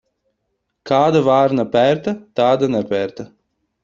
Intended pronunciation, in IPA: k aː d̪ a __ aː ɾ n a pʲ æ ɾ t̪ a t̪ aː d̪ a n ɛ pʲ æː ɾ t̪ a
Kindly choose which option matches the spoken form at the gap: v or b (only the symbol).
v